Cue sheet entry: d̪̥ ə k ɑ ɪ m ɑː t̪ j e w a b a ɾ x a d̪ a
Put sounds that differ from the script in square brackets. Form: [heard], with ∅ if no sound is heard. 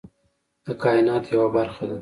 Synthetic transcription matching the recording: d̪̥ ə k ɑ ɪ [n] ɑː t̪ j [a] w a b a ɾ x a d̪ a